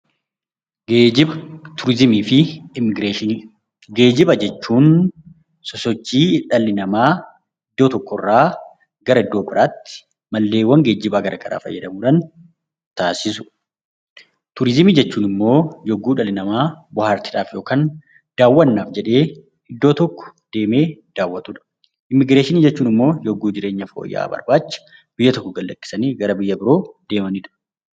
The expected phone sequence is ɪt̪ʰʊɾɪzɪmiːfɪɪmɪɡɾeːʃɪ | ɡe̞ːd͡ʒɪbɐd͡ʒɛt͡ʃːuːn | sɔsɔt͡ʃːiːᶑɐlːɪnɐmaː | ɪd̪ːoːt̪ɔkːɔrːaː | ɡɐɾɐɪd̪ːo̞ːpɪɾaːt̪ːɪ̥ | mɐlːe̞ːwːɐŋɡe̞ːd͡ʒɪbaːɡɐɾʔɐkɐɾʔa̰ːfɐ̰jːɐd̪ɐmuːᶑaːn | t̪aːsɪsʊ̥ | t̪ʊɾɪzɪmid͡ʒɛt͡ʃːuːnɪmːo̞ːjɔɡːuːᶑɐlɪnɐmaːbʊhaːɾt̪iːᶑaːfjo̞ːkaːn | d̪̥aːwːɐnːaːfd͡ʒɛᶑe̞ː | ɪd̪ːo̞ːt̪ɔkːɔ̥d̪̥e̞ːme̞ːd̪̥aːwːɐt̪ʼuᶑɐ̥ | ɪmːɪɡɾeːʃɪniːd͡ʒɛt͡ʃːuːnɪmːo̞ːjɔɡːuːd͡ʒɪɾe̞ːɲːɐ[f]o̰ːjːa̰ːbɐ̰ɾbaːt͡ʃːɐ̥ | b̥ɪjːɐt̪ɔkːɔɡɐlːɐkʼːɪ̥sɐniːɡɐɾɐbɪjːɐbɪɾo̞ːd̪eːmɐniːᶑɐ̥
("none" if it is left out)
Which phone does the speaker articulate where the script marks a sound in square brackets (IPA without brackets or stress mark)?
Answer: f